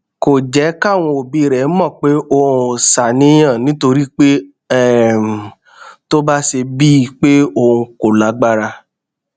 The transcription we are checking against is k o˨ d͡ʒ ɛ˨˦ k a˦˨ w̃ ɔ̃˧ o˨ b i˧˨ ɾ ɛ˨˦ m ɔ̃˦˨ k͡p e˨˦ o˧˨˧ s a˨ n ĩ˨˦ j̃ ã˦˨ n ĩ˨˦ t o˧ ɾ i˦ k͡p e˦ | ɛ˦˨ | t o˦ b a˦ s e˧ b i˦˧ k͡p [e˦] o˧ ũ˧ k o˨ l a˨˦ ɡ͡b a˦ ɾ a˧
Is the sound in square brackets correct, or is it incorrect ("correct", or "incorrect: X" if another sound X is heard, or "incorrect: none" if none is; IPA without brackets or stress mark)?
correct